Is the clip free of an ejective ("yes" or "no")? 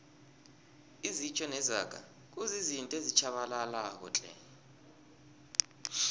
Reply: no